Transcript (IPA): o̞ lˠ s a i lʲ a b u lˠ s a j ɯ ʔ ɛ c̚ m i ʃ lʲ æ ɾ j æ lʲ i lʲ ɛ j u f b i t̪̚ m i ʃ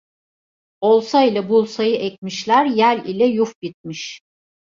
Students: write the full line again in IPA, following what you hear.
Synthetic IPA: o̞ lˠ s a i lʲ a b u lˠ s a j ɯ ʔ ɛ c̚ m i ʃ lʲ æ ɾ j æ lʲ i lʲ ɛ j u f b i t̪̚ m i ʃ